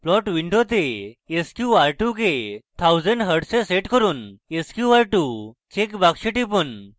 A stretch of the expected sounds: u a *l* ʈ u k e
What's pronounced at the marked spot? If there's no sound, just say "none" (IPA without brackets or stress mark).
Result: ɾ